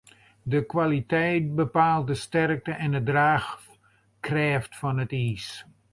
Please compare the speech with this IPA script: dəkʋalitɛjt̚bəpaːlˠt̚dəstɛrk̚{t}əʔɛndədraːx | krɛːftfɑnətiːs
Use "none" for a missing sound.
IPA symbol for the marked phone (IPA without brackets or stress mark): t